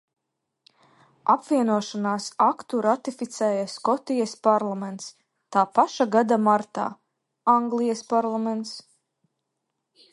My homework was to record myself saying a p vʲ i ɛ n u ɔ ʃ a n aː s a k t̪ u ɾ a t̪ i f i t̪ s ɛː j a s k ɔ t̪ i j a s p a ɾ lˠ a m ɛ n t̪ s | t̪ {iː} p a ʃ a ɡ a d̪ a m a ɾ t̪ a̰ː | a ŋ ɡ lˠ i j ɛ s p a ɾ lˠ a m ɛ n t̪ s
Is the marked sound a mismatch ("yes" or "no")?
yes